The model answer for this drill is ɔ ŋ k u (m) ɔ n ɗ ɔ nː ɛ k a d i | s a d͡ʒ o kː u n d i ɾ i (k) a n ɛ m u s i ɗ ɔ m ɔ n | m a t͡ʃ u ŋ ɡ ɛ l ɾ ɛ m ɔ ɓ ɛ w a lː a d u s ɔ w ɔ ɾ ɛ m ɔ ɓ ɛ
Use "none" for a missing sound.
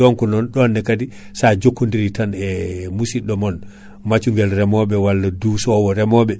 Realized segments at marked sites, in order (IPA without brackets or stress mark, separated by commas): n, t